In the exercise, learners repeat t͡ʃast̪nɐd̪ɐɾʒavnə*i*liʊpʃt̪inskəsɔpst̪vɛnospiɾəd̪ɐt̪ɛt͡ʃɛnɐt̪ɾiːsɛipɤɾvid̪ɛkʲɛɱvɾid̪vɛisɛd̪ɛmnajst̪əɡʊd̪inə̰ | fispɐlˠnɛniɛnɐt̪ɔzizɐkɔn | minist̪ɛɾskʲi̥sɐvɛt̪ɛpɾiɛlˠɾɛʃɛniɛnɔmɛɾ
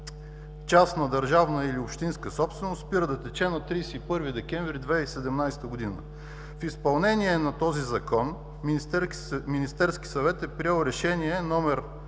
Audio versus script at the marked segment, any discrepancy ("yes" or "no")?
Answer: no